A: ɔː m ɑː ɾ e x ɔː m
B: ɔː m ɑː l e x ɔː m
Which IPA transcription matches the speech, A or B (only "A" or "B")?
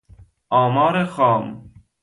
A